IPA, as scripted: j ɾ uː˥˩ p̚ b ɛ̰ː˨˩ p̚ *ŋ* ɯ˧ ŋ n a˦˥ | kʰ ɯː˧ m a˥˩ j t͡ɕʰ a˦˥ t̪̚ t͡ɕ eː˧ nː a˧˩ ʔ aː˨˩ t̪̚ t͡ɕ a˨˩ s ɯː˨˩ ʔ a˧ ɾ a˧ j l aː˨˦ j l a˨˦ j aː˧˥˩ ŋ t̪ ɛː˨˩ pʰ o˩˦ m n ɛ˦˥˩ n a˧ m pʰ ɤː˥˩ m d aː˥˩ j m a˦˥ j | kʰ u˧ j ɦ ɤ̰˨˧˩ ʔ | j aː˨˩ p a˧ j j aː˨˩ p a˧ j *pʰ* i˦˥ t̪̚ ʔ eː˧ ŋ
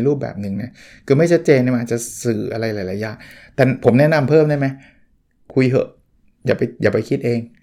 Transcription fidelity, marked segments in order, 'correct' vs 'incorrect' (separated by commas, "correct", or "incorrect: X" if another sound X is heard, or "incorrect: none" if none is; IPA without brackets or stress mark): incorrect: n, incorrect: kʰ